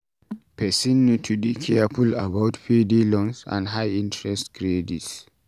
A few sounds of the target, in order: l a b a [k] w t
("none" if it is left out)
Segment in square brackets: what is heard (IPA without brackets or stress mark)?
none